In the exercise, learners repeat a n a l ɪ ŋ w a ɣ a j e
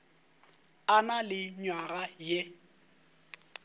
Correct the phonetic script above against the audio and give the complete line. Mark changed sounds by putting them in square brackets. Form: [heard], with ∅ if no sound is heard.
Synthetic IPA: a n a l ɪ [ɲ] w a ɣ a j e